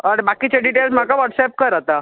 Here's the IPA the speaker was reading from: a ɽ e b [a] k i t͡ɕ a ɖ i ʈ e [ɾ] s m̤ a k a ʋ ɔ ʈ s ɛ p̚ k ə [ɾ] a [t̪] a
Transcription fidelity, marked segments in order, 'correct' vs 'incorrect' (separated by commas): correct, incorrect, correct, correct